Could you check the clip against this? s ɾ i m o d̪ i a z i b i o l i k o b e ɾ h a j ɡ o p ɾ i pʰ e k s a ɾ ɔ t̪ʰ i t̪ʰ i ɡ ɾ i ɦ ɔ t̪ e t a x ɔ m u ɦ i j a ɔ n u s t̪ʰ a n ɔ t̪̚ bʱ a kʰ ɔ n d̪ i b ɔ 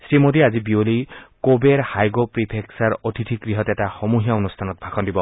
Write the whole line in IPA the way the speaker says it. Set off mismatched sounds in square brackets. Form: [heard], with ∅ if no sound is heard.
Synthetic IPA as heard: s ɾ i m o d̪ i a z i b i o l i k o b e ɾ h a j ɡ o p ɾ i pʰ e k s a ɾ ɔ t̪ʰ i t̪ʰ i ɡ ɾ i ɦ ɔ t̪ e t a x ɔ m u ɦ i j a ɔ n u s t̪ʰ a n ɔ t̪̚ bʱ a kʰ ɔ n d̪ i b ɔ